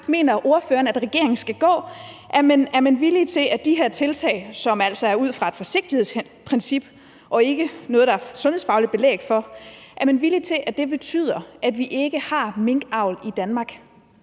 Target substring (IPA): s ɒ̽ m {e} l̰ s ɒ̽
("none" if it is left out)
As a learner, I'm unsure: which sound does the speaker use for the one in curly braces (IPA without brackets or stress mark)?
æ